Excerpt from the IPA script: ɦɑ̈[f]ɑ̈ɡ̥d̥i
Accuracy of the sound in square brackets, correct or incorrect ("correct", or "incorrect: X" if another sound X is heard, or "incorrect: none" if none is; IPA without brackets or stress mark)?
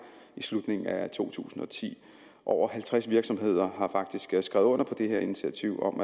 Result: correct